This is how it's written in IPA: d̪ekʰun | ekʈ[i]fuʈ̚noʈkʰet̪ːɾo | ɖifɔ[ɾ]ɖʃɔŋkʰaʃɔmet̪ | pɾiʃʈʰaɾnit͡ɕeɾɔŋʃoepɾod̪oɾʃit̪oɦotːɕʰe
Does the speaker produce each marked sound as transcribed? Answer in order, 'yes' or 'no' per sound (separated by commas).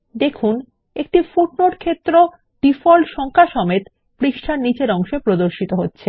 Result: yes, no